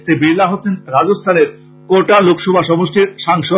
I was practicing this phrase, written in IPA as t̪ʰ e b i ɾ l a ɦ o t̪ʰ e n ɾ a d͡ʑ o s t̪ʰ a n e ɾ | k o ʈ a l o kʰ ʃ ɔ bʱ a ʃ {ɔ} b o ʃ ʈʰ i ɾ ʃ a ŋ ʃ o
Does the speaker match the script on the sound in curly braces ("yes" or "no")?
yes